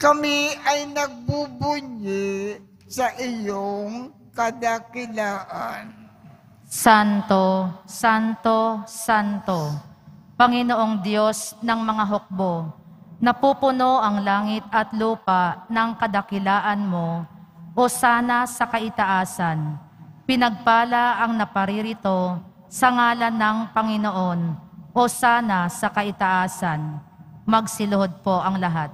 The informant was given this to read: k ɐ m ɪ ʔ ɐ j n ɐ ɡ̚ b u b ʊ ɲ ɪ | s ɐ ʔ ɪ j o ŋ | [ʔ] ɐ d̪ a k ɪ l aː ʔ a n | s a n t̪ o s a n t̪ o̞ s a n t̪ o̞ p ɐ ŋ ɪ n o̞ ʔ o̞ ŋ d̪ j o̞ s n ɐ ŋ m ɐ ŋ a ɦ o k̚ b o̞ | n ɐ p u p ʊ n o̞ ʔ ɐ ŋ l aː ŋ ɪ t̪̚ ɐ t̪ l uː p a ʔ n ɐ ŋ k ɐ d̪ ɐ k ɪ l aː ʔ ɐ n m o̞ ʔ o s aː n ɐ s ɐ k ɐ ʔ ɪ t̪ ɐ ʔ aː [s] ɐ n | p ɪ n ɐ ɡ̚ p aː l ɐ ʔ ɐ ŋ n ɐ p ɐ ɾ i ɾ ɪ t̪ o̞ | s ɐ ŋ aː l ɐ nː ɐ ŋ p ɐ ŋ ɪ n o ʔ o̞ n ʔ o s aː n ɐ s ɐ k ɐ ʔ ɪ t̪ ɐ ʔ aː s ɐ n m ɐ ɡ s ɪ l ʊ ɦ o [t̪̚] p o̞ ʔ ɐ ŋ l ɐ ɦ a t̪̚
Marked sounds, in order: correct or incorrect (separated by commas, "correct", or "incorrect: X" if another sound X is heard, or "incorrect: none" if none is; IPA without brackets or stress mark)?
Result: incorrect: k, correct, incorrect: d̪̚